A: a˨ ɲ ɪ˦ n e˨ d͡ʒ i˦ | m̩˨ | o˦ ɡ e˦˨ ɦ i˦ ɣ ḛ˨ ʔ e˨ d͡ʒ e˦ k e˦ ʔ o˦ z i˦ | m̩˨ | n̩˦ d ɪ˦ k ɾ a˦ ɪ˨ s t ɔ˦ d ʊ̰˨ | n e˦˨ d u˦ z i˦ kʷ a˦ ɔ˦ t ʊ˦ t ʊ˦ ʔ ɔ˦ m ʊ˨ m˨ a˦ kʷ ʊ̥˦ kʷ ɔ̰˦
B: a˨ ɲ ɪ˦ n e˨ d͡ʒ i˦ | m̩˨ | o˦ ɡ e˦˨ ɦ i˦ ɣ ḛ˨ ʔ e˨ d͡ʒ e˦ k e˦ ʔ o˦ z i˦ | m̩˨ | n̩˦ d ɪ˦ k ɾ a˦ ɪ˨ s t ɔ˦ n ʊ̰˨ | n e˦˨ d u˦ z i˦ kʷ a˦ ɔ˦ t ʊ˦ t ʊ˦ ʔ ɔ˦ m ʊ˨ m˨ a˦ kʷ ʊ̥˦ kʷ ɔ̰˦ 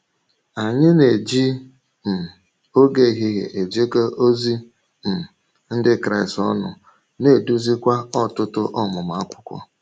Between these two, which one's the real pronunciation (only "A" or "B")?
B